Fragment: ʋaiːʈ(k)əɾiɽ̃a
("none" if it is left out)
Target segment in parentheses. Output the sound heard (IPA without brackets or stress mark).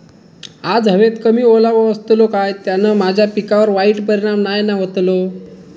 p